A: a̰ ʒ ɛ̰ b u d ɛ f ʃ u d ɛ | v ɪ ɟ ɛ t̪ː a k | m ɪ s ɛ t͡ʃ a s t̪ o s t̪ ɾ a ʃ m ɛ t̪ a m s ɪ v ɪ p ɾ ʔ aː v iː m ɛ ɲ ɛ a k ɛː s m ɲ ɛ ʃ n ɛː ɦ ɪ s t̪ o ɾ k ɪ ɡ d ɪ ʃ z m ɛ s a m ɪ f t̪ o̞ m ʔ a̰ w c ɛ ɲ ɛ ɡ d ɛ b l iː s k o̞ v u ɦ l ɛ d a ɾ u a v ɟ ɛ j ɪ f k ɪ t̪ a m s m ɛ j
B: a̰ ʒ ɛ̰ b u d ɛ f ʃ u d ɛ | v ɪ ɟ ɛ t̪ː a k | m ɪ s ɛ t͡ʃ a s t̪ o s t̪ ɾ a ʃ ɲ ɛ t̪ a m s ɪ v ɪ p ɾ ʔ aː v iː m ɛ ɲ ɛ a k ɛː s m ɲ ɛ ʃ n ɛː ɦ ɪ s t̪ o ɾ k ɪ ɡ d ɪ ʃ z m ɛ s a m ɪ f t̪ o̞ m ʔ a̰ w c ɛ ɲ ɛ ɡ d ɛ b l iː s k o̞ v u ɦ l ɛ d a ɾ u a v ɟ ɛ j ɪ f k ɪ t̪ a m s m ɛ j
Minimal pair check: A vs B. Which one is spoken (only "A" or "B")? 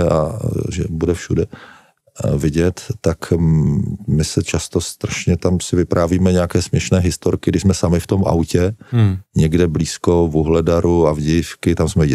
B